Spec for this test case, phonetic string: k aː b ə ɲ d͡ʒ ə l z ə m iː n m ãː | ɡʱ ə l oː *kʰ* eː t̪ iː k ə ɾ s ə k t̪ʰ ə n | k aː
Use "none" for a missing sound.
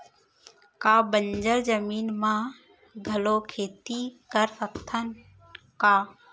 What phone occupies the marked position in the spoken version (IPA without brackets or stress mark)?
kʰ